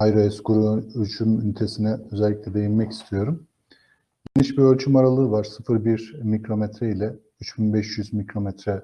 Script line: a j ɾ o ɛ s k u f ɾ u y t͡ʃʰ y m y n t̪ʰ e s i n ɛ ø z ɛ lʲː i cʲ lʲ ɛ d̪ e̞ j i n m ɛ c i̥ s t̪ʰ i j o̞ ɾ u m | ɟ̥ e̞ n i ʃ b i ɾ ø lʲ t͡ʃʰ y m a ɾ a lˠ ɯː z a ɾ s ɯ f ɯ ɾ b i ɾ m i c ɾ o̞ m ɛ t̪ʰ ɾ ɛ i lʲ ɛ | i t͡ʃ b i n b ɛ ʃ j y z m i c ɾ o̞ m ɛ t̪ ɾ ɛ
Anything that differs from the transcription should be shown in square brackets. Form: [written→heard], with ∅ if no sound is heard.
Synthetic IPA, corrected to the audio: a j ɾ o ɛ s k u [f→∅] ɾ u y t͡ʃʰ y m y n t̪ʰ e s i n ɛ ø z ɛ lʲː i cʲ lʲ ɛ d̪ e̞ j i n m ɛ c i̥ s t̪ʰ i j o̞ ɾ u m | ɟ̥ e̞ n i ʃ b i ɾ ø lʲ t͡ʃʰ y m a ɾ a lˠ ɯː [z→v] a ɾ s ɯ f ɯ ɾ b i ɾ m i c ɾ o̞ m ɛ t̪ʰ ɾ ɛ i lʲ ɛ | [i→y] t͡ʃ b i n b ɛ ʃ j y z m i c ɾ o̞ m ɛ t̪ ɾ ɛ